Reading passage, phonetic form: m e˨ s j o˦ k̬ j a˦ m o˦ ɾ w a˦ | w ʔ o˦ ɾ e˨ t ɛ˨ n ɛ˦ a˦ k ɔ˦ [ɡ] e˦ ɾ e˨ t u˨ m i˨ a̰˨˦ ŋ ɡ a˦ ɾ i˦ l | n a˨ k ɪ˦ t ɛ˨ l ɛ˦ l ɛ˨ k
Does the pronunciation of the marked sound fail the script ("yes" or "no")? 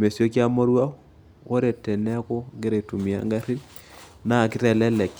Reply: no